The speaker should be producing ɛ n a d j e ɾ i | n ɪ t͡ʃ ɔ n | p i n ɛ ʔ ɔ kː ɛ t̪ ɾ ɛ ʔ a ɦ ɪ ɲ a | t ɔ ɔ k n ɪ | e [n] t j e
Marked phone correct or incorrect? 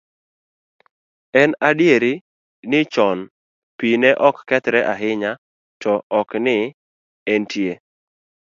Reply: correct